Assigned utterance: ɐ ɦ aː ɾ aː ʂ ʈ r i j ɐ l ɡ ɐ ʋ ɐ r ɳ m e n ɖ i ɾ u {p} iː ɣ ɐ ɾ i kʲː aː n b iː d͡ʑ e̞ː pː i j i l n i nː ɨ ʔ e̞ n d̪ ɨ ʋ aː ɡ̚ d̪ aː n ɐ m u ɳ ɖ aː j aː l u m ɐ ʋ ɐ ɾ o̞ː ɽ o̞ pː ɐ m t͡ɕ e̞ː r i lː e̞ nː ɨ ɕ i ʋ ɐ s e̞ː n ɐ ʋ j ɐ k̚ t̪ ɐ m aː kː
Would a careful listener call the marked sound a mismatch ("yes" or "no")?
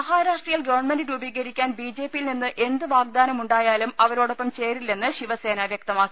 yes